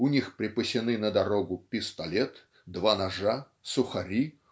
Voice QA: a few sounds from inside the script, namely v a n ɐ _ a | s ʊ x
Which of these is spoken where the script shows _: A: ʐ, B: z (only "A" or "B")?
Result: A